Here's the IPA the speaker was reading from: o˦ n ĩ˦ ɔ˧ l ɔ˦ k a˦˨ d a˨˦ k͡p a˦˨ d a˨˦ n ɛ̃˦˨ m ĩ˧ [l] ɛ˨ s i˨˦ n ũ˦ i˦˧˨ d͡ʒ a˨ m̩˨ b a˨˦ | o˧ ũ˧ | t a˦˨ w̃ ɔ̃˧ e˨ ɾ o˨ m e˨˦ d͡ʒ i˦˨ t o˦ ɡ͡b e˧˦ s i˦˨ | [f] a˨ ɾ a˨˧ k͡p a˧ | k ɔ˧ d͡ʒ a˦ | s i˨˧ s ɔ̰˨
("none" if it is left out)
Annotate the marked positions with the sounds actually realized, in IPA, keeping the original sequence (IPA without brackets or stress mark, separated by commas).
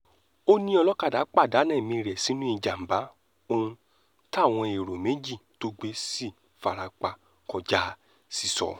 ɾ, f